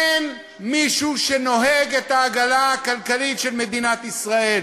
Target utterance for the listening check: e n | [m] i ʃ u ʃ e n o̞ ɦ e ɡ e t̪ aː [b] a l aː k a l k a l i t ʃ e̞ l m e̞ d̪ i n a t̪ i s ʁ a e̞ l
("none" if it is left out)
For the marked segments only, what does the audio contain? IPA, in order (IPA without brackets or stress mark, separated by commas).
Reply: m, ɡ